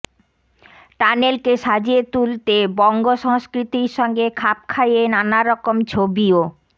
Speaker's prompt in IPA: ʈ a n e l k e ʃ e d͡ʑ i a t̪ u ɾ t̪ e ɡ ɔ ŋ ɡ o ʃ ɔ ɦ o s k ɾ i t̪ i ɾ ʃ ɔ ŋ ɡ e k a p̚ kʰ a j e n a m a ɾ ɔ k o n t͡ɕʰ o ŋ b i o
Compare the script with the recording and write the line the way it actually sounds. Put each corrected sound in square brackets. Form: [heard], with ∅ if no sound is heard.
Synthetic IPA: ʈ a n e l k e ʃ [a] d͡ʑ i [e] t̪ u [l] t̪ e [b] ɔ ŋ ɡ o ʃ ɔ ɦ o s k ɾ i t̪ i ɾ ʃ ɔ ŋ ɡ e [kʰ] a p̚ kʰ a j e n a [n] a ɾ ɔ k o [m] t͡ɕʰ o [∅] b i o